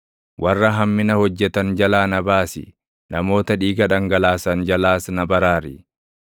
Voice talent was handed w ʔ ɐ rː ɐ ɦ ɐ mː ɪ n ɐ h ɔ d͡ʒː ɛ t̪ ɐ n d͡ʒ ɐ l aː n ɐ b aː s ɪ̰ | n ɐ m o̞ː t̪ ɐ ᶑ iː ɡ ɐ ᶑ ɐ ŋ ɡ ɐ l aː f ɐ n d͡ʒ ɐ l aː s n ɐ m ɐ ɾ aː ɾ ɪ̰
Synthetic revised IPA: w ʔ ɐ rː ɐ ɦ ɐ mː ɪ n ɐ h ɔ d͡ʒː ɛ t̪ ɐ n d͡ʒ ɐ l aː n ɐ b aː s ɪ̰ | n ɐ m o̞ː t̪ ɐ ᶑ iː ɡ ɐ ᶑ ɐ ŋ ɡ ɐ l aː s ɐ n d͡ʒ ɐ l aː s n ɐ b ɐ ɾ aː ɾ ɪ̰